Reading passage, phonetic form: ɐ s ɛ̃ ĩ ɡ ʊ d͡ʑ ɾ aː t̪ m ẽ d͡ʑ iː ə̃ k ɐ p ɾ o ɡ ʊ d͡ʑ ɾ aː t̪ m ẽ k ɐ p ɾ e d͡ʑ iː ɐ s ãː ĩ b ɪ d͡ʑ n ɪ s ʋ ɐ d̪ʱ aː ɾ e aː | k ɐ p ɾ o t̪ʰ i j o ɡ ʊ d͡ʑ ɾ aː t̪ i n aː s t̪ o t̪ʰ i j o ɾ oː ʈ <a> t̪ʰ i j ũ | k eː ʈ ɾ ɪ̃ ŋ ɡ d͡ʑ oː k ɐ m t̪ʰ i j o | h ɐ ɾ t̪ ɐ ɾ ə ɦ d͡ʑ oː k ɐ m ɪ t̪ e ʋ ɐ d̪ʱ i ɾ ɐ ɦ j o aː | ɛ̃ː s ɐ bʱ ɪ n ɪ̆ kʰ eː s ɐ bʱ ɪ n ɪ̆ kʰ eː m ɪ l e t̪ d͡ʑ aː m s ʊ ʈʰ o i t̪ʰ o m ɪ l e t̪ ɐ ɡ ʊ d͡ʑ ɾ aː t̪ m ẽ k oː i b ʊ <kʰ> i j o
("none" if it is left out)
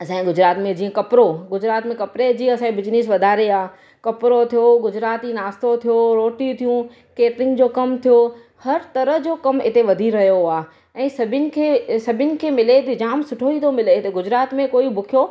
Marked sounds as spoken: i, kʰ

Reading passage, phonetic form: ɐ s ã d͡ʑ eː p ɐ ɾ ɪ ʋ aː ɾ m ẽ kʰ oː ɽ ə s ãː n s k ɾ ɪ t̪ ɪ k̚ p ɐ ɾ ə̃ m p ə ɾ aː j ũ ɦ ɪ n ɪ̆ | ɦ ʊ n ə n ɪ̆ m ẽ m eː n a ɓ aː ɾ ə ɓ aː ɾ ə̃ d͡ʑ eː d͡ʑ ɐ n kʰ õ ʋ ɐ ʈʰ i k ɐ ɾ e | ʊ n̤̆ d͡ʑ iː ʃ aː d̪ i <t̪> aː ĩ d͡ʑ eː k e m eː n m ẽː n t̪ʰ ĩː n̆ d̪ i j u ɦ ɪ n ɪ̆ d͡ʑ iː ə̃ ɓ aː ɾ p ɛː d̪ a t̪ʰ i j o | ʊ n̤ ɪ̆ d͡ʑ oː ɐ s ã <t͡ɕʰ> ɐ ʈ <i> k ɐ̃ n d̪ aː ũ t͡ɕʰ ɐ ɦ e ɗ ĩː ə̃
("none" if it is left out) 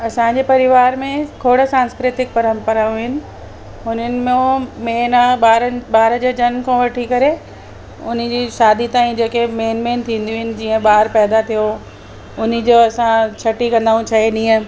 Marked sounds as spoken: t̪, t͡ɕʰ, i

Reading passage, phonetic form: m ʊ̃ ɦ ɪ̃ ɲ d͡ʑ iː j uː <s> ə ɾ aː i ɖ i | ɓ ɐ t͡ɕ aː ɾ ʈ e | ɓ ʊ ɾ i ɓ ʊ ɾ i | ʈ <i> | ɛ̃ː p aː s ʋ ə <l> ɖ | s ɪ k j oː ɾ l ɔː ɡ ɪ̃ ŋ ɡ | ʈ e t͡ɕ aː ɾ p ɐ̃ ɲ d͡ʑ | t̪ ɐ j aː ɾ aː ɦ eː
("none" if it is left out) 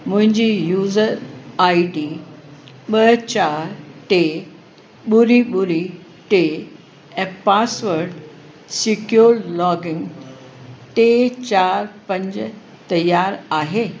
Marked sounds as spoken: z, e, ɾ

